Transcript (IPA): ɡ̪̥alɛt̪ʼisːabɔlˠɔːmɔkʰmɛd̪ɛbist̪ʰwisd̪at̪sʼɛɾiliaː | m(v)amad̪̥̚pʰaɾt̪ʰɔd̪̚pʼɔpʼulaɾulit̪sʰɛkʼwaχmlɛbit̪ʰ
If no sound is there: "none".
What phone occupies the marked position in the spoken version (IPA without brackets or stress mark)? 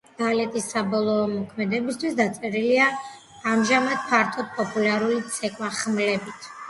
ʒ